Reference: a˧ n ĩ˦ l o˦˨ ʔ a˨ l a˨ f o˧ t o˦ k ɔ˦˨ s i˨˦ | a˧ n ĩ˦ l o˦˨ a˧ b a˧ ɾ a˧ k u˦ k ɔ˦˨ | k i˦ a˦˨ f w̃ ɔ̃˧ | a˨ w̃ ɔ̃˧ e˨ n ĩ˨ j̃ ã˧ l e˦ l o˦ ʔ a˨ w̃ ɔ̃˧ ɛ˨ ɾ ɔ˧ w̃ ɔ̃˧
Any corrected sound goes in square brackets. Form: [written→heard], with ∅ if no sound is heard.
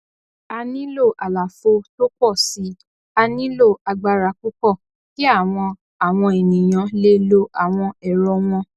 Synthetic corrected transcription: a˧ n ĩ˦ l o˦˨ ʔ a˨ l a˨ f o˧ t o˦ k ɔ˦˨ s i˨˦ | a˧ n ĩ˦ l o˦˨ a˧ [b→ɡ͡b] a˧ ɾ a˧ k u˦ k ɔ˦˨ | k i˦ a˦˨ [f→∅] w̃ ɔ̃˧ | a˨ w̃ ɔ̃˧ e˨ n ĩ˨ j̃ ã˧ l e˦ l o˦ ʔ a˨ w̃ ɔ̃˧ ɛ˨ ɾ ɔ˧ w̃ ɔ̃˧